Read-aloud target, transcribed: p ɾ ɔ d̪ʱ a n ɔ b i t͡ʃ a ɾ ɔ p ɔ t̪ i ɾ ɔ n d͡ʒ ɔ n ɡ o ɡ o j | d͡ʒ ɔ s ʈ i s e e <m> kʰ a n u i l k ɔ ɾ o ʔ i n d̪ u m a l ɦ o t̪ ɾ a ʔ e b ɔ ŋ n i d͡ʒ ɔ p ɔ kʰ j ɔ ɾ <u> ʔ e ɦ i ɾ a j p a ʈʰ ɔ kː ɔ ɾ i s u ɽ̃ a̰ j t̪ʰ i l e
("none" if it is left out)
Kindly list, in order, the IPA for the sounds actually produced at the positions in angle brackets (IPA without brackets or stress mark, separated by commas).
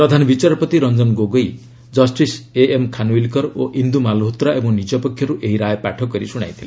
m, u